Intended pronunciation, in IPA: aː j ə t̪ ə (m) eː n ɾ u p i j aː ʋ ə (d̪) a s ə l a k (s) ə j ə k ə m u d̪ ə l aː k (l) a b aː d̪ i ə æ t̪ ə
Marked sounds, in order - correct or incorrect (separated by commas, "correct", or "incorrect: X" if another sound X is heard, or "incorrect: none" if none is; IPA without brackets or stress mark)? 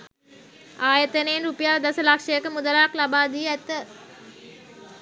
incorrect: n, correct, incorrect: ʂ, correct